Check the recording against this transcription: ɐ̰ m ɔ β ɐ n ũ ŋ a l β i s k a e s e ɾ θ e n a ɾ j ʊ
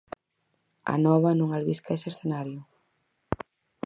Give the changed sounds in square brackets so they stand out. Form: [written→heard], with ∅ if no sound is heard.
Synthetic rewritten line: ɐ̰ [m→n] ɔ β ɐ n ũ ŋ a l β i s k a e s e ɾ θ e n a ɾ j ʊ